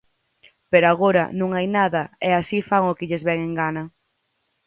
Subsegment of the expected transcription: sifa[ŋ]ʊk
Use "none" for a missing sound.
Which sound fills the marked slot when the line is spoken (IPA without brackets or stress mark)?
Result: ŋ